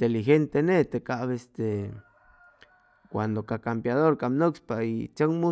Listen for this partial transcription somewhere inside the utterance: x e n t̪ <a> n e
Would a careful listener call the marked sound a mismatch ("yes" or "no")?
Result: yes